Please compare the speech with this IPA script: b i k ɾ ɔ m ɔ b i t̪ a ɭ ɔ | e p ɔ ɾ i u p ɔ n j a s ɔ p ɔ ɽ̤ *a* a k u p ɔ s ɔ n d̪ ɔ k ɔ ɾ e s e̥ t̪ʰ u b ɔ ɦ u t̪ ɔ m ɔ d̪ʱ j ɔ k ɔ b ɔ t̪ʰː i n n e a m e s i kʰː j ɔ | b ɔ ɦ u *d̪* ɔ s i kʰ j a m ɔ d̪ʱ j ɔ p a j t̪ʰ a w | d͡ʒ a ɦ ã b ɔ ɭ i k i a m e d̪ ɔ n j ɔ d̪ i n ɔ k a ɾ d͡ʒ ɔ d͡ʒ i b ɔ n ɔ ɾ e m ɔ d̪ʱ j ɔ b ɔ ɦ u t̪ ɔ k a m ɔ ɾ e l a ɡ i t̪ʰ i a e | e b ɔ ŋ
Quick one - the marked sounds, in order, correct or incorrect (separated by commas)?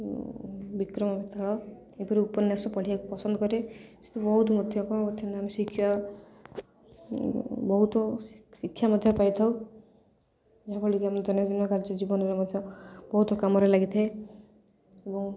incorrect, incorrect